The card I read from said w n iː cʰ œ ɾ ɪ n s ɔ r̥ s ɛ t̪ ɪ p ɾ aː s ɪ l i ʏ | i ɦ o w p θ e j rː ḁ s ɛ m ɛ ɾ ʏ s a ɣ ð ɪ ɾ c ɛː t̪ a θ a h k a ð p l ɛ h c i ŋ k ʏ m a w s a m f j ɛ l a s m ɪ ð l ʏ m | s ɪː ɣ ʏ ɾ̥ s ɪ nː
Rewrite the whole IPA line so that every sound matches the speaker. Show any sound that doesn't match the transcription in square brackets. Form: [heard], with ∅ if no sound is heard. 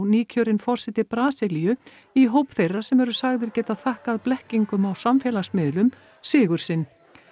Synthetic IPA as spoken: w n iː cʰ œ ɾ ɪ n [f] ɔ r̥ s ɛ t̪ ɪ p ɾ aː s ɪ l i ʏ | i ɦ o w p θ e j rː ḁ s ɛ m ɛ ɾ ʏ s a ɣ ð ɪ ɾ c ɛː t̪ a θ a h k a ð p l ɛ h c i ŋ k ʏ m a w s a m f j ɛ l a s m ɪ ð l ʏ m | s ɪː ɣ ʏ ɾ̥ s ɪ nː

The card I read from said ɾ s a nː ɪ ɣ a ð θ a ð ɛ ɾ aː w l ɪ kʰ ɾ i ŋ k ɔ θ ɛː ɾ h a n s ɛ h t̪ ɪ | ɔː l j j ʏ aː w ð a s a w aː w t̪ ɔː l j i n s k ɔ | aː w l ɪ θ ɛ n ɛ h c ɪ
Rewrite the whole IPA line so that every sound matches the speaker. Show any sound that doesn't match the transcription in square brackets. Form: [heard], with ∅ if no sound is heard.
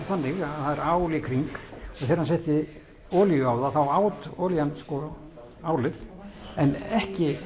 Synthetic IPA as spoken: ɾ [θ] a nː ɪ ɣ a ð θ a ð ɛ ɾ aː w l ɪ kʰ ɾ i ŋ k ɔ θ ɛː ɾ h a n s ɛ h t̪ ɪ | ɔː l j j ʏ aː w ð a [θ] a w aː w t̪ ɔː l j [a] n s k ɔ | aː w l ɪ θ ɛ n ɛ h c ɪ

